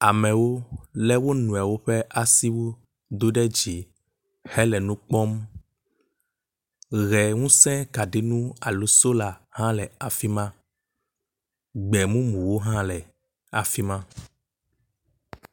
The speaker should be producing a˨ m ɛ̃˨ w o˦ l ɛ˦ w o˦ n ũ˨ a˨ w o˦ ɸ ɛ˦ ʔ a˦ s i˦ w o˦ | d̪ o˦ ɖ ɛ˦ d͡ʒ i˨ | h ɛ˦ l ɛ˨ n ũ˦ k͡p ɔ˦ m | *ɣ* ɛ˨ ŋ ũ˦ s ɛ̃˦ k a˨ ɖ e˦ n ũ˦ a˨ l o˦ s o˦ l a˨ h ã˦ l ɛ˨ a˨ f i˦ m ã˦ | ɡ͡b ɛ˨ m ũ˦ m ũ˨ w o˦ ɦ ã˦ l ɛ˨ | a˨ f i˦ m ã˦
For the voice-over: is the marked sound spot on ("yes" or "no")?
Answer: yes